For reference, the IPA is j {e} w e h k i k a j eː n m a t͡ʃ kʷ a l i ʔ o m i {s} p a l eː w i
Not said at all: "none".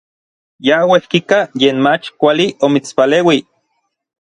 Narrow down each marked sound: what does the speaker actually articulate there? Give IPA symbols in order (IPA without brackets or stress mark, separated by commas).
a, t͡s